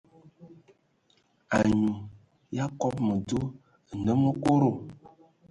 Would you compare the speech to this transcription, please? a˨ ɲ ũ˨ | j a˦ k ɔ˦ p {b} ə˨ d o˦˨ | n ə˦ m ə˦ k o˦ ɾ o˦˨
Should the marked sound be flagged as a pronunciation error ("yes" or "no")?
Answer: yes